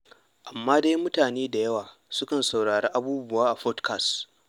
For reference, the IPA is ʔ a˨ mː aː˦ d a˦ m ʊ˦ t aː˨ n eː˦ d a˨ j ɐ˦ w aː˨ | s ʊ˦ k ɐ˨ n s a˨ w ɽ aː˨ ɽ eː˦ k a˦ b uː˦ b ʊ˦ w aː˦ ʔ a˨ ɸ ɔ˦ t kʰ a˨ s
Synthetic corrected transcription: ʔ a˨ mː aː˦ d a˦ m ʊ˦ t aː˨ n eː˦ d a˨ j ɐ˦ w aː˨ | s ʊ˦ k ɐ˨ n s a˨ w ɽ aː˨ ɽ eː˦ ʔ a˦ b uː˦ b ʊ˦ w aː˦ ʔ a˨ ɸ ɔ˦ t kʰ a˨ s